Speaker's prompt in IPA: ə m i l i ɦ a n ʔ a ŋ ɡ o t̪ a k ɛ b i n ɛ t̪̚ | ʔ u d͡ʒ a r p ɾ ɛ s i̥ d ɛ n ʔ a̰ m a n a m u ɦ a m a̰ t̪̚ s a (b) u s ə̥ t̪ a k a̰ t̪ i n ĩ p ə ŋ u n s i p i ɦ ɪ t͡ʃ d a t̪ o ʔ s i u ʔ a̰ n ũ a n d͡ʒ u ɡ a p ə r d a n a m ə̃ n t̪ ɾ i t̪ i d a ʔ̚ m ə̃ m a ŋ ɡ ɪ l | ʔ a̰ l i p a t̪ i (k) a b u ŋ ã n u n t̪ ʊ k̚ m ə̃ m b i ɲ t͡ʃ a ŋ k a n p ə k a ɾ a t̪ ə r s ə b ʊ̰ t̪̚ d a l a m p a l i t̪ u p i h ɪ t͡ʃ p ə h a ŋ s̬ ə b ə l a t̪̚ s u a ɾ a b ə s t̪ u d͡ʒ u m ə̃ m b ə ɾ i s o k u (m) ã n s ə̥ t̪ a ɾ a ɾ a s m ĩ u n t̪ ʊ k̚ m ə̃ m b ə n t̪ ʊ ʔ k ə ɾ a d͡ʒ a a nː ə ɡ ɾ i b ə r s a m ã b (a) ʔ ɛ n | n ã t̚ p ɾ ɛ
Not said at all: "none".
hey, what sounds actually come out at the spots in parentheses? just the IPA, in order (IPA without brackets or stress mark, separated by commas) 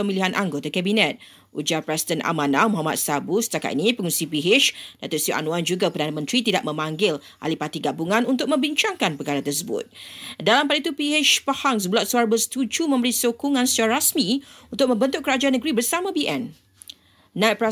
b, ɡ, ŋ, i